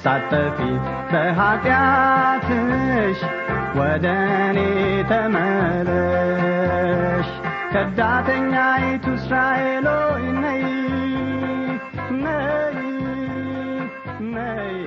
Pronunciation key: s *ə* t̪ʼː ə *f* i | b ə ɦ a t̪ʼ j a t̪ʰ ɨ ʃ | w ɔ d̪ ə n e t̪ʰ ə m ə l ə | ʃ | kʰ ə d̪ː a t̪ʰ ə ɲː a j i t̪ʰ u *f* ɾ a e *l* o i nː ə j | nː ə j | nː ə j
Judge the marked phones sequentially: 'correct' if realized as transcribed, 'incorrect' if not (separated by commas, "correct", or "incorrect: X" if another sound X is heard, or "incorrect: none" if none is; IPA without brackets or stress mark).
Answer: incorrect: a, correct, incorrect: s, correct